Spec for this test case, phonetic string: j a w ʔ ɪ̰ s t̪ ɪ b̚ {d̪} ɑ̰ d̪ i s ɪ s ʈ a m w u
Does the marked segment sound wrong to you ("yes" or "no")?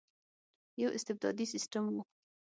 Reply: no